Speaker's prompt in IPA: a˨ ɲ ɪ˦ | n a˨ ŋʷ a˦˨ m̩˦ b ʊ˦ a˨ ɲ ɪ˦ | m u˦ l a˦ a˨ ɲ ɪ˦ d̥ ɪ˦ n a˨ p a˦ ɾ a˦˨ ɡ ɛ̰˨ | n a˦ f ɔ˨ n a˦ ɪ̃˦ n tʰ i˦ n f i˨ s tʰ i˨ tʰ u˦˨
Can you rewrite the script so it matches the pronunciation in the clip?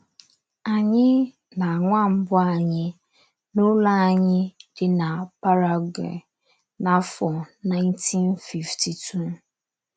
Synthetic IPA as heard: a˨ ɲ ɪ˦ | n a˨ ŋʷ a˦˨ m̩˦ b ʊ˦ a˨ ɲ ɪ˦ | n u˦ l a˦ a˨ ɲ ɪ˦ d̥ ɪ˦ n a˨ p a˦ ɾ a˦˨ ɡ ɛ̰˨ | n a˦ f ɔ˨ n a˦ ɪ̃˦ n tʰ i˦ n f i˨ f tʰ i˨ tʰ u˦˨

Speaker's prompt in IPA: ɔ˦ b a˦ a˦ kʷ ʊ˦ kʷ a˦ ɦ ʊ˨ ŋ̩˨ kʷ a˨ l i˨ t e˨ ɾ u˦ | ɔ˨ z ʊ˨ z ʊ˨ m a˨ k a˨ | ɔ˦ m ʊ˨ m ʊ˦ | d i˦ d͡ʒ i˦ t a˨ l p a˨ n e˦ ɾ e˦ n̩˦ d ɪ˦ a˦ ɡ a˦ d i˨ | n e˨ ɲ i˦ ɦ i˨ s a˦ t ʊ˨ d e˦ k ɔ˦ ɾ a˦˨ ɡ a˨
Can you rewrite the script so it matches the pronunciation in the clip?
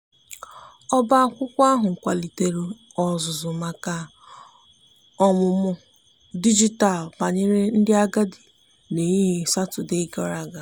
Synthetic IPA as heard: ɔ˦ b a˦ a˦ kʷ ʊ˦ kʷ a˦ ɦ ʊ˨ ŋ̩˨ kʷ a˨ l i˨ t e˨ ɾ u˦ | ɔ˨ z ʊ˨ z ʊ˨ m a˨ k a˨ | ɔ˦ m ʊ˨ m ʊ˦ | d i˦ d͡ʒ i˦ t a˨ l p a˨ ɲ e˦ ɾ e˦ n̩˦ d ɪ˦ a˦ ɡ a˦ d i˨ | n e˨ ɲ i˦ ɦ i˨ s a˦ t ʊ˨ d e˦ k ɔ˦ ɾ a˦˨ ɡ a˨

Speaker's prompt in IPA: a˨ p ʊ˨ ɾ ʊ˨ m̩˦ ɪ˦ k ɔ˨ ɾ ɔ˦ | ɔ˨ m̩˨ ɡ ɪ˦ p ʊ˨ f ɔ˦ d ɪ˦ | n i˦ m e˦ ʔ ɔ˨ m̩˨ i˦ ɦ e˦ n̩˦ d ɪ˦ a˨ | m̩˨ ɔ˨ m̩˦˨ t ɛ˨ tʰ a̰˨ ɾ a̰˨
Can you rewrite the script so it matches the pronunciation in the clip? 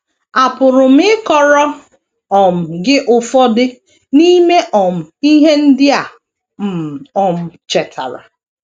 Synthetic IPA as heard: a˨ p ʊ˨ ɾ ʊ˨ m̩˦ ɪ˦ k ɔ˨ ɾ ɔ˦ | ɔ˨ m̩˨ ɡ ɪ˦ ʔ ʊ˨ f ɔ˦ d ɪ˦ | n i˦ m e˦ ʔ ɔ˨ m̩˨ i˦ ɦ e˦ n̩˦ d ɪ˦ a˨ | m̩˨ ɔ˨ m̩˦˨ t͡ʃ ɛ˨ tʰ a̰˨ ɾ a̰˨

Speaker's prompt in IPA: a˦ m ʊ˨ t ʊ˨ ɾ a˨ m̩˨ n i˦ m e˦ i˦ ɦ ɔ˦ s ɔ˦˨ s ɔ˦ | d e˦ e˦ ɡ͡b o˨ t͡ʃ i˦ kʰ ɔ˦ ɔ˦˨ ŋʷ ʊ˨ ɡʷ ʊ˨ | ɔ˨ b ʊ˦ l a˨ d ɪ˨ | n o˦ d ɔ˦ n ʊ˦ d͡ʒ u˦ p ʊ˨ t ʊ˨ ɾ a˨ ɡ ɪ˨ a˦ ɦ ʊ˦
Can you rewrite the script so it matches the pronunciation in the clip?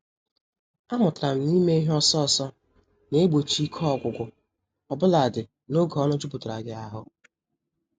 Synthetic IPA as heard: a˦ m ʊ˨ t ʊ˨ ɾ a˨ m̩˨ n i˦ m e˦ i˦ ɦ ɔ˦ s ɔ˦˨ s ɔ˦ | n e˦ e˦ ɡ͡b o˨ t͡ʃ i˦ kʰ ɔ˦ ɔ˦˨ ɡʷ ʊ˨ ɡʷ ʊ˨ | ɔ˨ b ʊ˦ l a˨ d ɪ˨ | n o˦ ɡ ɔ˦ n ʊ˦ d͡ʒ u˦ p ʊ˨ t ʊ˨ ɾ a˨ ɡ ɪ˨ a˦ ɦ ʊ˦

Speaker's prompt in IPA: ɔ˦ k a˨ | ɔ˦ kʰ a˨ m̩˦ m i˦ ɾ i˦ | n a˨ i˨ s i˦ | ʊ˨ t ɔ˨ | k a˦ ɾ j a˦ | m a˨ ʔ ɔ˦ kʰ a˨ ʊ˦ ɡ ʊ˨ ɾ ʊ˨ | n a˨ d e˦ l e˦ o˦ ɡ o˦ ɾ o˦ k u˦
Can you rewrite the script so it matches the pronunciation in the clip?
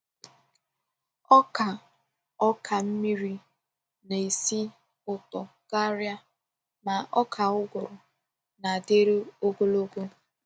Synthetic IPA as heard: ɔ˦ k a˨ | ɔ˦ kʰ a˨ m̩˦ m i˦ ɾ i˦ | n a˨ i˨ s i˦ | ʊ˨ t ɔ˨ | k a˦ ɾ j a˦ | m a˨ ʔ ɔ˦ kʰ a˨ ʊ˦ ɡ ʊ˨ ɾ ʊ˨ | n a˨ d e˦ ɾ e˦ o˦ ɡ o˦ l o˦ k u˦

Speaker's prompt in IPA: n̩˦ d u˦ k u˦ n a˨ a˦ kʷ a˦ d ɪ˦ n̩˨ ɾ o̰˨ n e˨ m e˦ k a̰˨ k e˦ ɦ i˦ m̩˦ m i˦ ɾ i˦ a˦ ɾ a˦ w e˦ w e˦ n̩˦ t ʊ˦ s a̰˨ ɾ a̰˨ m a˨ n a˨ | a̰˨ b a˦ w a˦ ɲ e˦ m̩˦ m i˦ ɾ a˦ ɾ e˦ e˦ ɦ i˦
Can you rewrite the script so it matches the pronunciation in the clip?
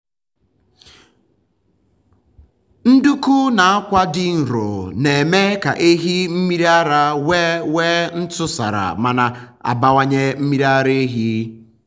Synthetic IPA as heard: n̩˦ d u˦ k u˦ n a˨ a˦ kʷ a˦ d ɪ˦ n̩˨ ɾ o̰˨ n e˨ m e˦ k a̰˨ ʔ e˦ ɦ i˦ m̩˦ m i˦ ɾ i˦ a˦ ɾ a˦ w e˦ w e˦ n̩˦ t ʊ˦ s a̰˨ ɾ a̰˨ m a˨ n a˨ | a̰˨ b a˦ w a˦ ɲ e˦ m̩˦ m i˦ ɾ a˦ ɾ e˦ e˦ ɦ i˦

